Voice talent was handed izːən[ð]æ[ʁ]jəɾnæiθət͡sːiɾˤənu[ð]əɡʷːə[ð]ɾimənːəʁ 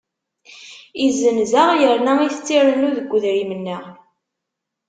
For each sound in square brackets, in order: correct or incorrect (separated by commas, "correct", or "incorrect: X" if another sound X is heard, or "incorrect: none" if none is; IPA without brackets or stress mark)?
incorrect: z, correct, correct, correct